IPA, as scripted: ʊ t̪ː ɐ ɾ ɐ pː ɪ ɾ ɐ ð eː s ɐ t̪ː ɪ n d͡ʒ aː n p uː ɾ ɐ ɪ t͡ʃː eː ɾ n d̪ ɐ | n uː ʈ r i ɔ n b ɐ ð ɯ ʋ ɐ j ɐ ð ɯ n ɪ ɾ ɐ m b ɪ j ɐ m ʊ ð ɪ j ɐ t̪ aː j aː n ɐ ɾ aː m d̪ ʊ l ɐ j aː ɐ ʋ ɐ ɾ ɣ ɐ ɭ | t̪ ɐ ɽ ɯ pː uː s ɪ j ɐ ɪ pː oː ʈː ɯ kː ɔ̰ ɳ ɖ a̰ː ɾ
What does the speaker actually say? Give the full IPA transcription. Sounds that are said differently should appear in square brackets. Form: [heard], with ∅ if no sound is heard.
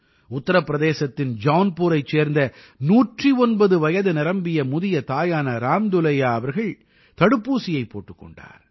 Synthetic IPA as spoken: ʊ t̪ː ɐ ɾ ɐ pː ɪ ɾ ɐ ð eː s ɐ t̪ː ɪ n d͡ʒ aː n p uː ɾ ɐ ɪ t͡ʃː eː ɾ n d̪ ɐ | n uː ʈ r i ɔ n b ɐ ð ɯ ʋ ɐ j ɐ ð ɯ n ɪ ɾ ɐ m b ɪ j ɐ m ʊ ð ɪ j ɐ t̪ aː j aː n ɐ ɾ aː m d̪ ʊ l ɐ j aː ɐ ʋ ɐ ɾ ɣ ɐ ɭ | t̪ ɐ ɽ ɯ pː uː s ɪ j ɐ ɪ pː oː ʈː ɯ kː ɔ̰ ɳ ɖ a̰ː ɾ